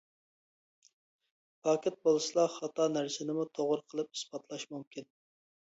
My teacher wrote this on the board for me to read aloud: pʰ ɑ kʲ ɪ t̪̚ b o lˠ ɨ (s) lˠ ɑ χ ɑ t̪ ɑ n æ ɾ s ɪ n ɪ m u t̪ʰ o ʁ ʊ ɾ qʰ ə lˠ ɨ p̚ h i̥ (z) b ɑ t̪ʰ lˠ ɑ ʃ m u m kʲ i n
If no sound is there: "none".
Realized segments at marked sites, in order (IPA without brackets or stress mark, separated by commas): s, s